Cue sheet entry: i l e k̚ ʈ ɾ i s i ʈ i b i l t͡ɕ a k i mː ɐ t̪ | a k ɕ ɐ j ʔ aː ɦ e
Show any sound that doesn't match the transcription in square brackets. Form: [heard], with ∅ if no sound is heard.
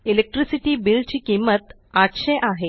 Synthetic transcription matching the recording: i l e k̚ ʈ ɾ i s i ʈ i b i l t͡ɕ [i] k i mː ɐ t̪ | a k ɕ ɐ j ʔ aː ɦ e